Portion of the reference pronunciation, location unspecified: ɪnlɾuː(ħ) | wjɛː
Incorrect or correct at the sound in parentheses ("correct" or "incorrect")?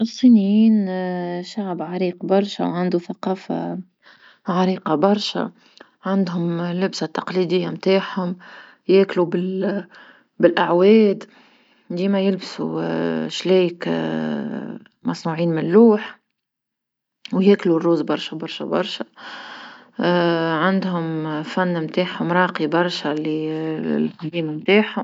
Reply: correct